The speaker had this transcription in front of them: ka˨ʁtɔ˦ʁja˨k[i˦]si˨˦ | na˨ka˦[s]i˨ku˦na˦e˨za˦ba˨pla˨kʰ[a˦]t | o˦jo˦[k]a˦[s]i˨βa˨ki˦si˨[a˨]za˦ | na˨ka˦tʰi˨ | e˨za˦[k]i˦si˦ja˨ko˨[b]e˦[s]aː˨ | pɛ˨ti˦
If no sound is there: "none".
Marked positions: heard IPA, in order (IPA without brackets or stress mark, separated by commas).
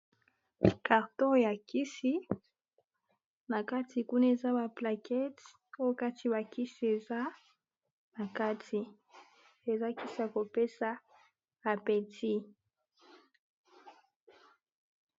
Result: i˦, t, ɛ˦, k, t, e˨, k, p, s